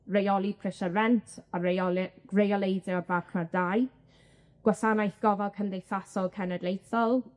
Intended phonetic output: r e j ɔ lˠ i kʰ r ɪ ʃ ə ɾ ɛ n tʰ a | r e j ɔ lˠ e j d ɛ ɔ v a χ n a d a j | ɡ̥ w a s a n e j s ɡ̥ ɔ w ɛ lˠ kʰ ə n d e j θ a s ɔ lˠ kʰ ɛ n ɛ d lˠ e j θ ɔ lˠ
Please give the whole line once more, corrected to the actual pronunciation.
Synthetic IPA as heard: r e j ɔ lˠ i pʰ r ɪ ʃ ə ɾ ɛ n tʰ a | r e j ɔ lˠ e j d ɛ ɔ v a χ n a d a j | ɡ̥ w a s a n a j θ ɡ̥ ɔ v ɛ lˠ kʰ ə n d e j θ a s ɔ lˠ kʰ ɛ n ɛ d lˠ e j θ ɔ lˠ